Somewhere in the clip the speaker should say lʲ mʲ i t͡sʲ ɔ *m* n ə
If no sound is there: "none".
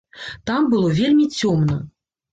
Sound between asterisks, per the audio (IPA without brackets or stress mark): m